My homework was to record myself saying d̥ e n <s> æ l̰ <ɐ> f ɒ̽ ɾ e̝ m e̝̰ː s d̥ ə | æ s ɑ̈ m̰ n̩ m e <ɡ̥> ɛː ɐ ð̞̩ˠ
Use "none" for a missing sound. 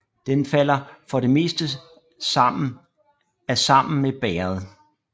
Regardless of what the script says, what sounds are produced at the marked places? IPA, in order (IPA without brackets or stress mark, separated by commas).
f, ɐ, b̥